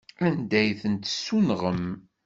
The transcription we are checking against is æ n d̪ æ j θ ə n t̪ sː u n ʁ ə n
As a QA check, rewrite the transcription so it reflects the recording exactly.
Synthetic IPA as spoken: æ n d̪ æ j θ ə n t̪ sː u n ʁ ə m